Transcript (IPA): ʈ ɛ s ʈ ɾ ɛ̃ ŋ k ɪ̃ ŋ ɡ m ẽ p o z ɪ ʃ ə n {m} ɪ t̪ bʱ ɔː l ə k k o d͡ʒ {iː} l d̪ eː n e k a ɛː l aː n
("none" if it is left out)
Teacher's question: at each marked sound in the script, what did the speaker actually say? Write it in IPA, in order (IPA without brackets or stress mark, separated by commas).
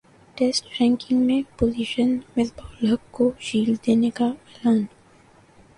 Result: m, iː